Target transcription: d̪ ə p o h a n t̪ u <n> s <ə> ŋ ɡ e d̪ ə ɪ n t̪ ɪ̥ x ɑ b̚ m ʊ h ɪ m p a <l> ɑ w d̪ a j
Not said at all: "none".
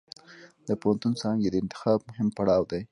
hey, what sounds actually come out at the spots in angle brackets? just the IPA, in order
n, ɑ, ɽ

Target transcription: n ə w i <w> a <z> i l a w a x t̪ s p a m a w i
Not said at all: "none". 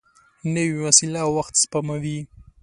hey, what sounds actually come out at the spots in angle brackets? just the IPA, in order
w, s

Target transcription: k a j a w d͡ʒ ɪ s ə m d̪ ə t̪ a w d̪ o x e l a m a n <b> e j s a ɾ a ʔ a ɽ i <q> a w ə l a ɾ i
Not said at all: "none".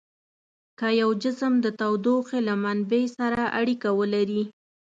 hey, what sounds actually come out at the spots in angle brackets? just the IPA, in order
b, k

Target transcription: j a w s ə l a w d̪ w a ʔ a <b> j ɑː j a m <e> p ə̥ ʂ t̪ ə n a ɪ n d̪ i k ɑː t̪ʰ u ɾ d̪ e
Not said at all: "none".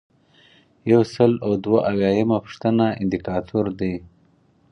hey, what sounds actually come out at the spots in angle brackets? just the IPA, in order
w, a

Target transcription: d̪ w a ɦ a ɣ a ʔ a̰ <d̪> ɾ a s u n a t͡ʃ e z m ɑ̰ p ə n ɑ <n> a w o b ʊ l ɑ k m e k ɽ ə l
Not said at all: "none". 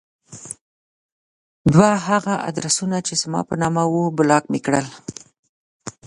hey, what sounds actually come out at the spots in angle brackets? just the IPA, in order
d̪, m

